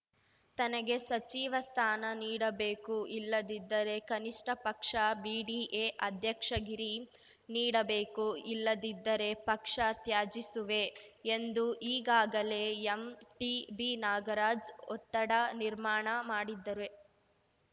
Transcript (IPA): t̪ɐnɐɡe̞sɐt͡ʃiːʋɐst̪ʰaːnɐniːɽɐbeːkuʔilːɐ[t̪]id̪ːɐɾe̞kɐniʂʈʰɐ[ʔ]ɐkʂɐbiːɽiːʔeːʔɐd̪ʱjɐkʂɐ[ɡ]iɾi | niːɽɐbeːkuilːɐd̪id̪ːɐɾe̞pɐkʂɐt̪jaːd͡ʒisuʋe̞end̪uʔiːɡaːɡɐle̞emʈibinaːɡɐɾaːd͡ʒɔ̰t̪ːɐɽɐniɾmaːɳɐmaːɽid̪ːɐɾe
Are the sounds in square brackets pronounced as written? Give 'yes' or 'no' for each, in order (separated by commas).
no, no, yes